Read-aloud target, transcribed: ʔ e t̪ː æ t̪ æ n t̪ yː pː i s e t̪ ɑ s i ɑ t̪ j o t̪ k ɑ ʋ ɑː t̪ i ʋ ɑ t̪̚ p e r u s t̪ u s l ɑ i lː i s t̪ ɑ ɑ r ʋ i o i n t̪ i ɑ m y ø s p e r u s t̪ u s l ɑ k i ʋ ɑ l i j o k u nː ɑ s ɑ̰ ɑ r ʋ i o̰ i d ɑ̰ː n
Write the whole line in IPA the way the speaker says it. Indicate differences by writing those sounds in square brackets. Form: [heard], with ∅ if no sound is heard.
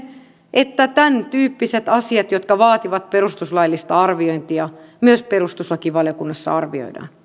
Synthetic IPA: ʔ e t̪ː æ t̪ æ n t̪ yː pː i s e t̪ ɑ s i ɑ t̪ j o t̪ k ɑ ʋ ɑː t̪ i ʋ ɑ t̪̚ p e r u s t̪ u s l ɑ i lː i s t̪ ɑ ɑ r ʋ i o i n t̪ i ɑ m y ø s p e r u s t̪ u s l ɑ k i ʋ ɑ l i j o k u nː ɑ [sː] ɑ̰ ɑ r ʋ i o̰ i d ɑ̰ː n